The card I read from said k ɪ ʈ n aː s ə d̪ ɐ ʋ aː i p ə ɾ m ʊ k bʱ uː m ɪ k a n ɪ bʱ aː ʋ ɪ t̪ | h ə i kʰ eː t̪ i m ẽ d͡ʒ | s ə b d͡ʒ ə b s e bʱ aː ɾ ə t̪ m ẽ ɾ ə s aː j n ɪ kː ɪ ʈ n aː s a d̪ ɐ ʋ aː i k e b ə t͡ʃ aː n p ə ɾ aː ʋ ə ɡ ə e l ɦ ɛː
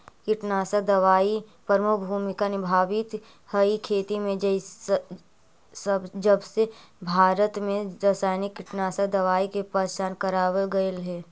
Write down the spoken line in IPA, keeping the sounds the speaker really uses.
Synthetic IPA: k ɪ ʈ n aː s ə d̪ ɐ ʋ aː i p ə ɾ m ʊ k bʱ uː m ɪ k a n ɪ bʱ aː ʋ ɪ t̪ | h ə i kʰ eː t̪ i m ẽ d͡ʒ | s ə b d͡ʒ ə b s e bʱ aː ɾ ə t̪ m ẽ ɾ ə s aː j n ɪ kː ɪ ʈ n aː s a d̪ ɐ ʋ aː i k e p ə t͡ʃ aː n k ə ɾ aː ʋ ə ɡ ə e l ɦ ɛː